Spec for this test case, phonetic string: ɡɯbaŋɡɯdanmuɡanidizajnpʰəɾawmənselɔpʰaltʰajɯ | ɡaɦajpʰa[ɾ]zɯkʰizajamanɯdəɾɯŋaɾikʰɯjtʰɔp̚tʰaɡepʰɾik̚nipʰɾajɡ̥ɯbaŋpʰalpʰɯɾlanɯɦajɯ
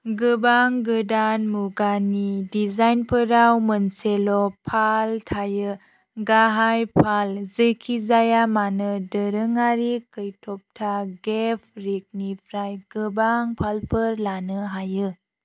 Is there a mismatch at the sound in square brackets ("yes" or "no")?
yes